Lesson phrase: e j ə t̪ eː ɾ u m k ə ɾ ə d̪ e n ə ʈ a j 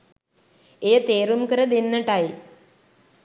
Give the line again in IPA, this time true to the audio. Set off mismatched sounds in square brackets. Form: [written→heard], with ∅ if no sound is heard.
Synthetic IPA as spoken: e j ə t̪ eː ɾ u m k ə ɾ ə d̪ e [n→nː] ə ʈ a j